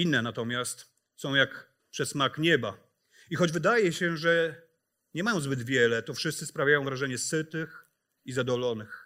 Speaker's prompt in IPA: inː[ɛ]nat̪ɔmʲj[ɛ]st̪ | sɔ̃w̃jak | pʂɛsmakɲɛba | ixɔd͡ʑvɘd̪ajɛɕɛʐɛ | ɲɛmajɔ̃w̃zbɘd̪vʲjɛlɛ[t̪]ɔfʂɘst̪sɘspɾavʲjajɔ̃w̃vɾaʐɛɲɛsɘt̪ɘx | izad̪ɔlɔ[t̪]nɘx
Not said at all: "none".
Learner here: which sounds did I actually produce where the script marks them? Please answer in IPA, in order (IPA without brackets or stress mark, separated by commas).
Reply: ɛ, a, t̪, none